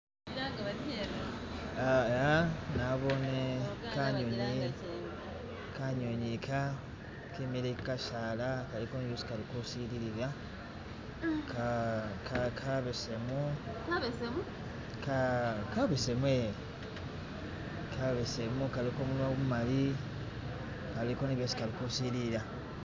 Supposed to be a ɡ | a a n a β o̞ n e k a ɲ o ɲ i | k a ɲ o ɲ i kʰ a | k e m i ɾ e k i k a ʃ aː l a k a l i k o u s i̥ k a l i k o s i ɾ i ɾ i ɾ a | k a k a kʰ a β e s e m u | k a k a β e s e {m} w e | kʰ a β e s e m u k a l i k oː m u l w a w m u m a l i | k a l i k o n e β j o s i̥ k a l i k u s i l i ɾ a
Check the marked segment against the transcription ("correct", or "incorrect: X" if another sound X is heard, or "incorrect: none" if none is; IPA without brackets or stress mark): correct